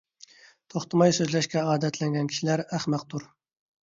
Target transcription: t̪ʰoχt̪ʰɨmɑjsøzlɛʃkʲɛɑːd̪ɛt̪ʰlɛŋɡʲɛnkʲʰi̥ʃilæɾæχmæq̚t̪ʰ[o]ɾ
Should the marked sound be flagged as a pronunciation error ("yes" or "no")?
yes